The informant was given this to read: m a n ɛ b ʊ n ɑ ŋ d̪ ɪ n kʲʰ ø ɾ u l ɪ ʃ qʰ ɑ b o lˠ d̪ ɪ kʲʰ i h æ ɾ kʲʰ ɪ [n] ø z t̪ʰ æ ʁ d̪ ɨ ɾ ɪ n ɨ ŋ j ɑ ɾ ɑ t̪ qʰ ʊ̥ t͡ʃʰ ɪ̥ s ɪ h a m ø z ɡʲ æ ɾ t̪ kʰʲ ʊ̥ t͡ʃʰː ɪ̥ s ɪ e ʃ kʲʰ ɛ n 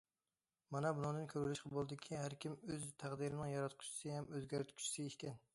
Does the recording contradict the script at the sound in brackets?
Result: yes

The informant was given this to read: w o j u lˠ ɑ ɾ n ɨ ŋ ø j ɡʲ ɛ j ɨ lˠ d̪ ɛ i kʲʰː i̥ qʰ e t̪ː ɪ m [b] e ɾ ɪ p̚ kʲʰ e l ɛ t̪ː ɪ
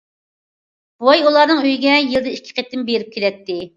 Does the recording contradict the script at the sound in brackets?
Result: no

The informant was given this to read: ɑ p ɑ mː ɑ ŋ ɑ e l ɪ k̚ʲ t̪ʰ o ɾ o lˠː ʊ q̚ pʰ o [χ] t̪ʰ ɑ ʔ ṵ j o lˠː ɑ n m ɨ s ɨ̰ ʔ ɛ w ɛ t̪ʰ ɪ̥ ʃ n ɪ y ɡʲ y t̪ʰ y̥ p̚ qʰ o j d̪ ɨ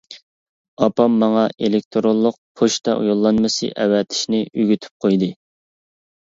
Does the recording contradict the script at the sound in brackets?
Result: yes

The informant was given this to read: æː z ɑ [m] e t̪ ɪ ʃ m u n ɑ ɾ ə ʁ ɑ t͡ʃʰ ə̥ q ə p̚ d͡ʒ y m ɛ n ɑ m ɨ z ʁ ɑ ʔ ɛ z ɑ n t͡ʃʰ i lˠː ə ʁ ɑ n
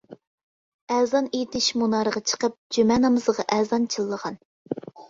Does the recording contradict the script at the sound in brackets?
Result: yes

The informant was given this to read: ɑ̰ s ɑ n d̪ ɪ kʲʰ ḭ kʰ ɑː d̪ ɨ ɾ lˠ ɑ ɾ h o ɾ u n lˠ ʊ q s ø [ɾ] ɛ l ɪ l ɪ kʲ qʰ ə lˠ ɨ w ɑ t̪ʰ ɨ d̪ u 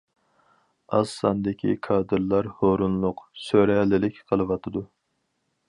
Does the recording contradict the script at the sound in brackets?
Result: no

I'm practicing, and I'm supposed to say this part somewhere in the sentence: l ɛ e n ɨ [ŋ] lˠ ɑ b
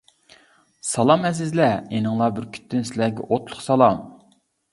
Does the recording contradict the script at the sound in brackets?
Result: no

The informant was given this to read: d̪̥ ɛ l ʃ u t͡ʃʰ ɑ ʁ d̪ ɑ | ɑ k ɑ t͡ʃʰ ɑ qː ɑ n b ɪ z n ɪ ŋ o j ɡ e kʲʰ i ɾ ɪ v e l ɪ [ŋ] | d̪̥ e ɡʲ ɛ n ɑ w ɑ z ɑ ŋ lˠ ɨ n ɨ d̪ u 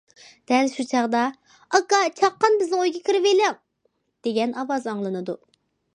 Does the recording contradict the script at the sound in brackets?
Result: no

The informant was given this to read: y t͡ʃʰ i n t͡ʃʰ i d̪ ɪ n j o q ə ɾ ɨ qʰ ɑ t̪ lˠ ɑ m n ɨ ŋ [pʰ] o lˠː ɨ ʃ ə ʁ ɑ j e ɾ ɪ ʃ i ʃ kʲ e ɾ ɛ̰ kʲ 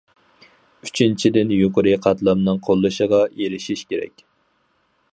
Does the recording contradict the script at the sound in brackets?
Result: yes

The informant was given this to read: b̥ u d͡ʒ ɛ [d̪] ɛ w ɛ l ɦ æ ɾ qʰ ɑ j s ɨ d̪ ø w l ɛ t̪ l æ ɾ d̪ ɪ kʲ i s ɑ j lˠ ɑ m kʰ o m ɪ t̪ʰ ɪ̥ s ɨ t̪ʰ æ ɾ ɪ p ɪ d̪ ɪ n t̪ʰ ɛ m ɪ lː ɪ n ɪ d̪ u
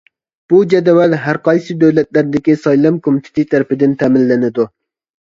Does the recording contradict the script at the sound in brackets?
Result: no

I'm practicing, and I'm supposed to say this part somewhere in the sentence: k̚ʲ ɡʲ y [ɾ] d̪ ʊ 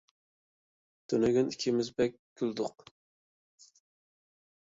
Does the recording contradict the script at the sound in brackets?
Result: yes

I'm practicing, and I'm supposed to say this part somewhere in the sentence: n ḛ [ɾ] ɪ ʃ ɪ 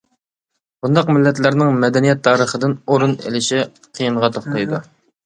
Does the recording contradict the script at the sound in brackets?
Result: yes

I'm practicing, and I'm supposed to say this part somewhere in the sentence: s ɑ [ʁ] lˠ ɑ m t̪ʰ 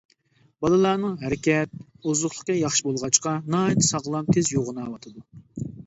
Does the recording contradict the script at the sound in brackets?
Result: no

